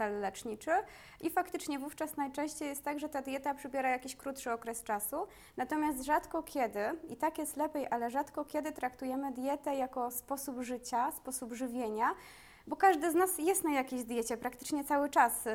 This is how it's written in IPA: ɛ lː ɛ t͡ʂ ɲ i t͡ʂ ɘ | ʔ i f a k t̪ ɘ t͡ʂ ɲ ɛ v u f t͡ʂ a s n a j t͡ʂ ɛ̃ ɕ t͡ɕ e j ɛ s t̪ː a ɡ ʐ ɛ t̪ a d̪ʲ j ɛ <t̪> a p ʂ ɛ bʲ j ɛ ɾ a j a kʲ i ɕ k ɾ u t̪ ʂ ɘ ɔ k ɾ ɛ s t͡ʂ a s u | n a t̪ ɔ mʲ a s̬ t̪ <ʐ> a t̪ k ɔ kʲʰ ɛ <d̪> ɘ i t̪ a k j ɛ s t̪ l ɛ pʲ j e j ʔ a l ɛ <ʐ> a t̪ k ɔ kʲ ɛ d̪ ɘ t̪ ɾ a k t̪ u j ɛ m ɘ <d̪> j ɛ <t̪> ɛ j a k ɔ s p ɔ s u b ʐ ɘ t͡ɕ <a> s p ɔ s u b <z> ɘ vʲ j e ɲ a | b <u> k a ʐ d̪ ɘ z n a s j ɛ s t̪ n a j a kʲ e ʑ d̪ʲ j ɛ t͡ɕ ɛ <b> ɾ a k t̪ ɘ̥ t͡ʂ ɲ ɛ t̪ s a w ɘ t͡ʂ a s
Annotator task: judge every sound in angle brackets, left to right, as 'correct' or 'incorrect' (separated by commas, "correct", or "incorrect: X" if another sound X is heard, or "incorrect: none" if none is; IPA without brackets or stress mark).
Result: correct, correct, correct, correct, correct, correct, correct, incorrect: ʐ, incorrect: ɔ, incorrect: p